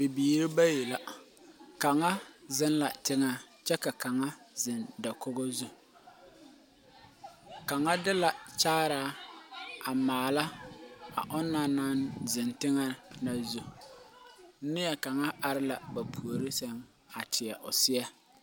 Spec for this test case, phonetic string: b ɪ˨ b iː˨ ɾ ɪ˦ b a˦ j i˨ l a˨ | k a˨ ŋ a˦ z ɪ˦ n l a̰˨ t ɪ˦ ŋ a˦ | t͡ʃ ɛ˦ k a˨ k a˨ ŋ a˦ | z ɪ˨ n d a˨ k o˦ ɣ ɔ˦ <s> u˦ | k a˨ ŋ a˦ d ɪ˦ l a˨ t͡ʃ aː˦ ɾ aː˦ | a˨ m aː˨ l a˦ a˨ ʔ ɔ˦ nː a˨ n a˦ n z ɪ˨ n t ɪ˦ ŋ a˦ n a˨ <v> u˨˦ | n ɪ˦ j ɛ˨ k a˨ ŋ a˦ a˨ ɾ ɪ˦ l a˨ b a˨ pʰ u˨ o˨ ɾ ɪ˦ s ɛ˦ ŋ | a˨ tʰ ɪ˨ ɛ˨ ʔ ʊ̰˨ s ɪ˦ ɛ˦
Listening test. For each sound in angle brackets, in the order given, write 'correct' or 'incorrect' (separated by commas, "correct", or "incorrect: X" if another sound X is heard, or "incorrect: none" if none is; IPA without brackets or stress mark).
incorrect: z, incorrect: z